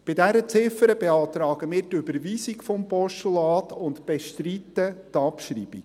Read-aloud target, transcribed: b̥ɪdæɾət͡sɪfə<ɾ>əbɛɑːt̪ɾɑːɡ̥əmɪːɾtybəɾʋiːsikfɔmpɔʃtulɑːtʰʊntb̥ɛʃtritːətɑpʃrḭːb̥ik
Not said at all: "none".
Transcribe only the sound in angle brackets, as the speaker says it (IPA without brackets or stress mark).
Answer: ɾ